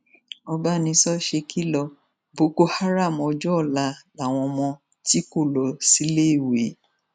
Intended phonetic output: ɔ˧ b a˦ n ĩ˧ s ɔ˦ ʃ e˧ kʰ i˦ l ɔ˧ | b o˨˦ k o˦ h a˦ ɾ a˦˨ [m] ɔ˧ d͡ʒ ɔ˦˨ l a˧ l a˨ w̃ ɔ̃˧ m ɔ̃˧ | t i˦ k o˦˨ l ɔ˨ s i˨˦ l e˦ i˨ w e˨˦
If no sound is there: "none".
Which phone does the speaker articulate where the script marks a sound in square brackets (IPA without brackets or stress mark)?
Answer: m